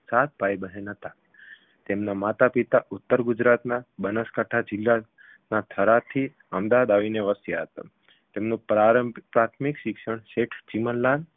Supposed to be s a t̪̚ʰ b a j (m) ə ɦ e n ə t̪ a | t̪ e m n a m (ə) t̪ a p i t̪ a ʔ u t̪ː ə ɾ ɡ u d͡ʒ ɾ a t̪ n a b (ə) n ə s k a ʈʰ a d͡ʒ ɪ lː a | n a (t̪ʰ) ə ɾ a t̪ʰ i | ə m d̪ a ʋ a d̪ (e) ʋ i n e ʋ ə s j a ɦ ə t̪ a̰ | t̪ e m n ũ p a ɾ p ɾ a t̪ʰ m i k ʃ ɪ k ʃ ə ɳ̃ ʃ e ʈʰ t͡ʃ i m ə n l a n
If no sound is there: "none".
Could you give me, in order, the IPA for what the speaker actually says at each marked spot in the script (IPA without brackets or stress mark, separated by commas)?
b, a, ə, t̪ʰ, a